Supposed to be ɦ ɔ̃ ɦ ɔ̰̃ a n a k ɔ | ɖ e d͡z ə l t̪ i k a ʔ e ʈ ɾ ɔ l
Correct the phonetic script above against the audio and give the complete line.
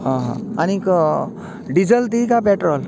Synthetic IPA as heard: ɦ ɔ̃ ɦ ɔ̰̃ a n i k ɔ | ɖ i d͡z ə l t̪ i k a p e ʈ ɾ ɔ l

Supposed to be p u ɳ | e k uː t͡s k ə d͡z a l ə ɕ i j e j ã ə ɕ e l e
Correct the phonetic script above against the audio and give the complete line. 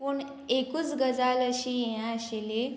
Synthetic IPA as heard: p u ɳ | e k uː t͡s ɡ ə d͡z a l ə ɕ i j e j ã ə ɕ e l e

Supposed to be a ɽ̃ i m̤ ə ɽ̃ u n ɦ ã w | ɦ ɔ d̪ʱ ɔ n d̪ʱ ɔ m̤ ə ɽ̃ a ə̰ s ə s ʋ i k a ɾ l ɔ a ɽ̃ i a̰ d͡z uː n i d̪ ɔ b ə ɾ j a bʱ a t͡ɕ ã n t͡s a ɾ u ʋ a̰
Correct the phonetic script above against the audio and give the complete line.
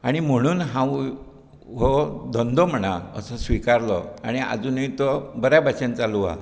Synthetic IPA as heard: a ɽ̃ i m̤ ə ɽ̃ uː n ɦ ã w | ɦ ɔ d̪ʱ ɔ n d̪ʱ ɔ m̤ ə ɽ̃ a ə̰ s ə s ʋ i k a ɾ l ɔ a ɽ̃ i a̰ d͡z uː n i t̪ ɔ b ə ɾ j a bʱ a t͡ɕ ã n t͡s a l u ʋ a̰

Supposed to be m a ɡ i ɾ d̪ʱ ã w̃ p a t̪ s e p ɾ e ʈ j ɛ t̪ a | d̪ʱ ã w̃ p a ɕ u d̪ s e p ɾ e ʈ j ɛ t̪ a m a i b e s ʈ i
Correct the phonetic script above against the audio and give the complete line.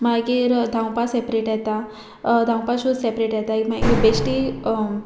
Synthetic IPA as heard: m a ɡ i ɾ d̪ʱ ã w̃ p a s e p ɾ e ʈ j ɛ t̪ a | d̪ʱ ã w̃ p a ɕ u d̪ s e p ɾ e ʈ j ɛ t̪ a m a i b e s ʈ i

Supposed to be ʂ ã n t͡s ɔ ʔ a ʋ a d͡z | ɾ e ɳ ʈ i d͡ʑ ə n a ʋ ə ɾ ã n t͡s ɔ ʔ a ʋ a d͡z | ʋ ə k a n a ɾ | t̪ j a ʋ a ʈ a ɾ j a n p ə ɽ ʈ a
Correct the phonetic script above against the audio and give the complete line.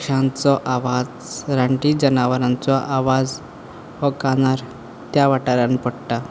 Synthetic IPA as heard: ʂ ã n t͡s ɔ ʔ a ʋ a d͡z | ɾ a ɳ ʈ i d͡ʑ ə n a ʋ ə ɾ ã n t͡s ɔ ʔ a ʋ a d͡z | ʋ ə k a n a ɾ | t̪ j a ʋ a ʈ a ɾ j a n p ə ɽ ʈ a

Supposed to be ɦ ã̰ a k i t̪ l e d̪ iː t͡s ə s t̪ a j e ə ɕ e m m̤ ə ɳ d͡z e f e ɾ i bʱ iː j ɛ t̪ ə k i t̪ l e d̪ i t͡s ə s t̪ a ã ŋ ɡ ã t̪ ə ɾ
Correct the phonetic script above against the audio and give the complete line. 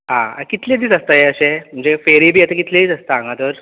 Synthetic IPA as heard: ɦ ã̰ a k i t̪ l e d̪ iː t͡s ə s t̪ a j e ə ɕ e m m̤ ə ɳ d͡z e f e ɾ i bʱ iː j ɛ t̪ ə k i t̪ l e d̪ i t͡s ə s t̪ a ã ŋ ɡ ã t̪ ə ɾ

